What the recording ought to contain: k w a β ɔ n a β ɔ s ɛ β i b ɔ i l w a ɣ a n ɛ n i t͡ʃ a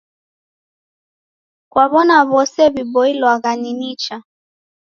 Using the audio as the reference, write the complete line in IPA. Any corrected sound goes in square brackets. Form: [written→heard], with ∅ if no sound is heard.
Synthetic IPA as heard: k w a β ɔ n a β ɔ s ɛ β i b ɔ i l w a ɣ a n [ɛ→i] n i t͡ʃ a